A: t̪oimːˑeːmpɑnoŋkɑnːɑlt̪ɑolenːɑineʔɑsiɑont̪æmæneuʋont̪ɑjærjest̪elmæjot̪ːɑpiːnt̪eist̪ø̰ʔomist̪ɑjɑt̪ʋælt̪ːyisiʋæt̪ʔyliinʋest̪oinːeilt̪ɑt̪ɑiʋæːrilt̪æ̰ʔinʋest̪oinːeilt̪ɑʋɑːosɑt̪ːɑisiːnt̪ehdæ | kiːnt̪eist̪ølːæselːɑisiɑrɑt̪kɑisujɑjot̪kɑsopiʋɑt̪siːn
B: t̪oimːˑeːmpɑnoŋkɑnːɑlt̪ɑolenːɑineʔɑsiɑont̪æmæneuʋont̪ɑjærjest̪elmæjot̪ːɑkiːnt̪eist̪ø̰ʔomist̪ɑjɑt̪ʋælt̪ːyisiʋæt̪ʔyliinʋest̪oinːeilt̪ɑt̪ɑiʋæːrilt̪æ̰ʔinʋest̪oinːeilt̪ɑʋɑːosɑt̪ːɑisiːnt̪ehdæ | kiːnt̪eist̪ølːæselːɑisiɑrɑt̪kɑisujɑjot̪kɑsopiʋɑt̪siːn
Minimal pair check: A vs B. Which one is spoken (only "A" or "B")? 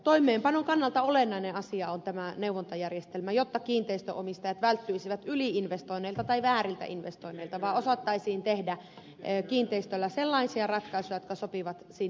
B